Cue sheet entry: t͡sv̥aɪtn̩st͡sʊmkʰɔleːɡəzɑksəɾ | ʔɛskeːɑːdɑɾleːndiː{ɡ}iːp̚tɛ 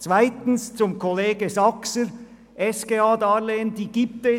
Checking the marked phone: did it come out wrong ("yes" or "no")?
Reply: no